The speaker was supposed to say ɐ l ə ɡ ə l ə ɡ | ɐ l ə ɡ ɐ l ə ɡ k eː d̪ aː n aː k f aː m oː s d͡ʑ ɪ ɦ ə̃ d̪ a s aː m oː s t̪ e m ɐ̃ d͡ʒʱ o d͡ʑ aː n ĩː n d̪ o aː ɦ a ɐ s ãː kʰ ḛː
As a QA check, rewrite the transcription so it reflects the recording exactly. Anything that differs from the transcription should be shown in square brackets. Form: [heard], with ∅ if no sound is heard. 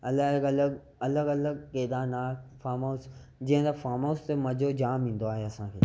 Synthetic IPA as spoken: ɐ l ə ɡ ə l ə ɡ | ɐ l ə ɡ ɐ l ə ɡ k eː d̪ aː n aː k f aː m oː s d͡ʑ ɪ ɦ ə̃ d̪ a [f] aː m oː s t̪ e m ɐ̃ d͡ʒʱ o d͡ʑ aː [m] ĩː n d̪ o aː ɦ [e] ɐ s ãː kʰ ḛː